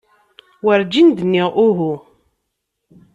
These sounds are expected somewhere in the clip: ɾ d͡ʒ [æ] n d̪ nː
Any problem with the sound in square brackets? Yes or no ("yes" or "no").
yes